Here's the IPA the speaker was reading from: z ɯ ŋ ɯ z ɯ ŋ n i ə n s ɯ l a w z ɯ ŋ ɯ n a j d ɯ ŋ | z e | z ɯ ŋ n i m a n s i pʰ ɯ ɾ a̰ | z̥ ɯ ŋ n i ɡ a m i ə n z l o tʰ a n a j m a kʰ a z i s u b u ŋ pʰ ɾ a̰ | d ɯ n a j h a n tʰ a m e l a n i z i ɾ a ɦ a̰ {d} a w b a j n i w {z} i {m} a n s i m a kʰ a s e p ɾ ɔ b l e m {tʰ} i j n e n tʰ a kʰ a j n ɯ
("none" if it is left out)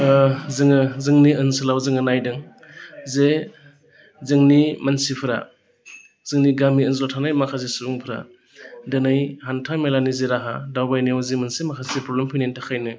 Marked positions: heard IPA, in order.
d, z, m, pʰ

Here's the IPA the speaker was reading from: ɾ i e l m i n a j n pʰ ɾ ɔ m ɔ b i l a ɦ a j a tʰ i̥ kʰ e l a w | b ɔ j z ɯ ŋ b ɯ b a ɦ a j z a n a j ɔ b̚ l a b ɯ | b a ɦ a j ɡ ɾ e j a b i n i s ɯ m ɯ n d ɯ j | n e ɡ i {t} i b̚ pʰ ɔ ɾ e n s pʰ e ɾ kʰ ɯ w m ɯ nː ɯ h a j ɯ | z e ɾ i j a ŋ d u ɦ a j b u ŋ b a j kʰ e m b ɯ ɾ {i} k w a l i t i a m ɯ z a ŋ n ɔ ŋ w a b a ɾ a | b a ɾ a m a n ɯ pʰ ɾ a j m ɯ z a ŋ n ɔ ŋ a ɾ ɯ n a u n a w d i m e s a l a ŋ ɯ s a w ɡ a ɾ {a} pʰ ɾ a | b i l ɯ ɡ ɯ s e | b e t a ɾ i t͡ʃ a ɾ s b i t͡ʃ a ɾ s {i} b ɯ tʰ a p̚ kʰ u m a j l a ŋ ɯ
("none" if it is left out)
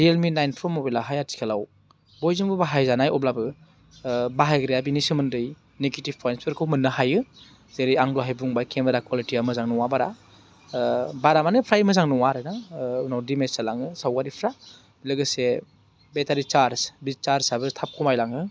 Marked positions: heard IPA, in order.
t, a, i, a

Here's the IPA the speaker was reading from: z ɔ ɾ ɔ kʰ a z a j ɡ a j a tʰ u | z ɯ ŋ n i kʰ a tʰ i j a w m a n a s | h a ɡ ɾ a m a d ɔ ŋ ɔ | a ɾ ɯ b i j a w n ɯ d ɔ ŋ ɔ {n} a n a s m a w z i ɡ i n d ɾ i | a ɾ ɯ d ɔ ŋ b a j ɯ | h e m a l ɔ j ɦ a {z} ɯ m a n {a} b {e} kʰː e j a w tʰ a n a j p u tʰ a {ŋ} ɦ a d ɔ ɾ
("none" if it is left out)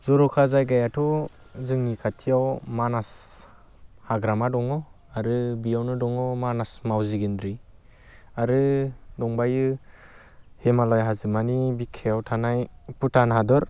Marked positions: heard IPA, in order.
m, z, i, i, n

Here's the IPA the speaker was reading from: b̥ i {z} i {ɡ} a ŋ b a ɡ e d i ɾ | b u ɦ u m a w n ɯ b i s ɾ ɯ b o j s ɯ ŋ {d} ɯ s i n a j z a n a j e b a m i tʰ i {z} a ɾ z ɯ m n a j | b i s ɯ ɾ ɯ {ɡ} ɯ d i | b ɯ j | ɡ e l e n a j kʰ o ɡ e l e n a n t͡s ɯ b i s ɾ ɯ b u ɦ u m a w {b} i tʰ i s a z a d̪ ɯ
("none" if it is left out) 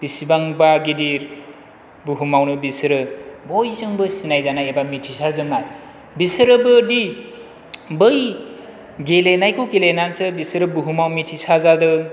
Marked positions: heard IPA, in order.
s, b, b, s, b, m

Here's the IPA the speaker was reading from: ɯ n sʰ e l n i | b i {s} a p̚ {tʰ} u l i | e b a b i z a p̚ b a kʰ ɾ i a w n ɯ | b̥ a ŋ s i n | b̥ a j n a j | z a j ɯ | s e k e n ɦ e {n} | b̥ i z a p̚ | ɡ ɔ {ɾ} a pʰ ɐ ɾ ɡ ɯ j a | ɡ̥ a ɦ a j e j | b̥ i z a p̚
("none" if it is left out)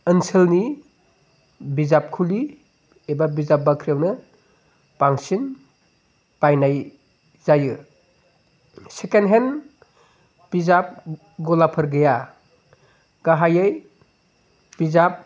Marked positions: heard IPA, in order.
z, kʰ, n, l

